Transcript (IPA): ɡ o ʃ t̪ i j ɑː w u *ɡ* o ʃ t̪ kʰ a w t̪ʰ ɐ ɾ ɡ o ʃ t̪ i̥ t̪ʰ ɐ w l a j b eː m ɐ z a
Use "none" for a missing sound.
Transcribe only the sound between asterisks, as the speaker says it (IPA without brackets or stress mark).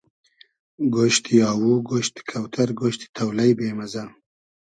ɡ